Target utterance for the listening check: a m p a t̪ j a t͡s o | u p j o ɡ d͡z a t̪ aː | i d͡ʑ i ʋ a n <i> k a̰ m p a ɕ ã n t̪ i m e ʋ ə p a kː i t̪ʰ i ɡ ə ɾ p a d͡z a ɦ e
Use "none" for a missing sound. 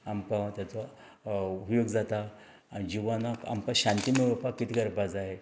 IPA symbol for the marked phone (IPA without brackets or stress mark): a